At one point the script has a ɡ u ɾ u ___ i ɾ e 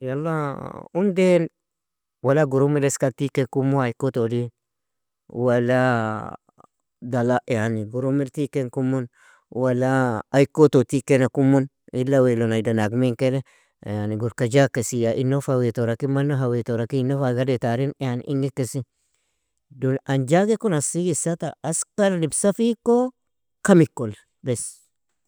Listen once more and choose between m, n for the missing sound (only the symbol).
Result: m